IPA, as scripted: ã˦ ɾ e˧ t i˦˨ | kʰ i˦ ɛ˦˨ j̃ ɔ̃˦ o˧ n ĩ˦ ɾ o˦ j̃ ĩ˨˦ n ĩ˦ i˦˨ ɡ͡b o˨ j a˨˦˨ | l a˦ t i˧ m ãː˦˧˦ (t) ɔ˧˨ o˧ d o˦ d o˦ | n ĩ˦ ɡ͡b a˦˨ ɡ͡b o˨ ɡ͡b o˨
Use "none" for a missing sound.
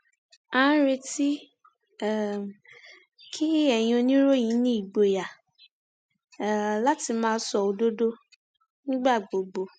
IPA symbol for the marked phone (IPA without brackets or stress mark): s